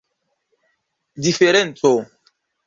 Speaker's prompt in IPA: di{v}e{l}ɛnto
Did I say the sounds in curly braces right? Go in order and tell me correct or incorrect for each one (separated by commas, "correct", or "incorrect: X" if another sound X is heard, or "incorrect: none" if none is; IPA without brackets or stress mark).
incorrect: f, incorrect: ɾ